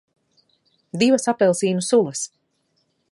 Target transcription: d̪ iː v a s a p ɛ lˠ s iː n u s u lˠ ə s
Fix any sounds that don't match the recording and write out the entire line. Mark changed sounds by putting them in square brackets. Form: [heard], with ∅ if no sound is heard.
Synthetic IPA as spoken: d̪ [i] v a s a p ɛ lˠ s iː n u s u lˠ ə s